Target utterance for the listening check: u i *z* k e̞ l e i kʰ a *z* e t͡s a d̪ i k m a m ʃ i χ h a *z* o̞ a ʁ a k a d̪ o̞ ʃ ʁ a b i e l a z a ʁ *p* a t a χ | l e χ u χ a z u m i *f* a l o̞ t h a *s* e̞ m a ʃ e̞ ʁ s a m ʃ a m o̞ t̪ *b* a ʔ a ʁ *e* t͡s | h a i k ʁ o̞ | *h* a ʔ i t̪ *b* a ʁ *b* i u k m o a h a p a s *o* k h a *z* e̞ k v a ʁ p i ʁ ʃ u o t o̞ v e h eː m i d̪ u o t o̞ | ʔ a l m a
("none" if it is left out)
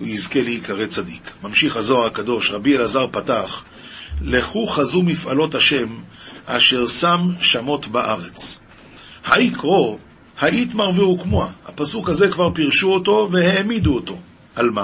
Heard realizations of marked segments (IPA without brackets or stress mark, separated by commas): z, ʁ, z, p, f, ʃ, b, e, h, m, v, u, z